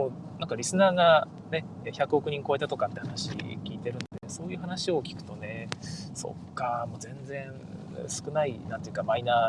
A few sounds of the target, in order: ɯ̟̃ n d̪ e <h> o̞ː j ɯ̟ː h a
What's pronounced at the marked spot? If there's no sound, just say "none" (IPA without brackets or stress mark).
s